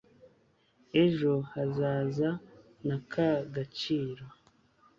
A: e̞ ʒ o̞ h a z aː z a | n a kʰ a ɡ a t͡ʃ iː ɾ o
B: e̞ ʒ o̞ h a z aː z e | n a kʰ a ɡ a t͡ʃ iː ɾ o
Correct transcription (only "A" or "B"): A